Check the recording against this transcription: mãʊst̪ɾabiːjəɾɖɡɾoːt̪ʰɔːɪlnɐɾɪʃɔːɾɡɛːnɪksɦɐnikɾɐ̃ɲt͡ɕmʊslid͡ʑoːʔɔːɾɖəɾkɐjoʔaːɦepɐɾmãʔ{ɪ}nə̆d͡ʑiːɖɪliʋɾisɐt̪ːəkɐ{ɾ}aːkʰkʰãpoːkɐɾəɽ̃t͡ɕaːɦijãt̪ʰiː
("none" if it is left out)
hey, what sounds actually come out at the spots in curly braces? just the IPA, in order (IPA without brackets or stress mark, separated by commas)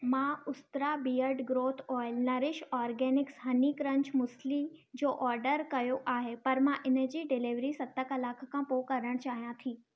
ɪ, l